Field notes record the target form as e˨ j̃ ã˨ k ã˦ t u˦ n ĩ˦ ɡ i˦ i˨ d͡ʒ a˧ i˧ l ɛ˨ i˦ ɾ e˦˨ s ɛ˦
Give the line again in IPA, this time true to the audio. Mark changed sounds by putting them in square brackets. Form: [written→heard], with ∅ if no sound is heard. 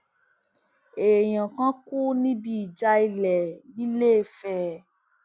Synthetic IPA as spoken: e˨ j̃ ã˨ k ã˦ [t→k] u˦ n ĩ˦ [ɡ→b] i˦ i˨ d͡ʒ a˧ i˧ l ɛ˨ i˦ [ɾ→l] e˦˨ [s→f] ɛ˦